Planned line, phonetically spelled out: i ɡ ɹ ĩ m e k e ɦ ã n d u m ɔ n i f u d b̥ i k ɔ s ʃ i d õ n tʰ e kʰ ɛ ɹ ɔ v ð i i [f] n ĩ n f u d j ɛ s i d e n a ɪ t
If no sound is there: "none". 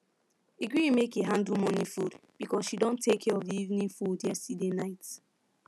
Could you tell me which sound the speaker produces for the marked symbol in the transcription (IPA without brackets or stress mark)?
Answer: v